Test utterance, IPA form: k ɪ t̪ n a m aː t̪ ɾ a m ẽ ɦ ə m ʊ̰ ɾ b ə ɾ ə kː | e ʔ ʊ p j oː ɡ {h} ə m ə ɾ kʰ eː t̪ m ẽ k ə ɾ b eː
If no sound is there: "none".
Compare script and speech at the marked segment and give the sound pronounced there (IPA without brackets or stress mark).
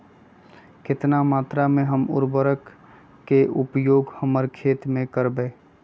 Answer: h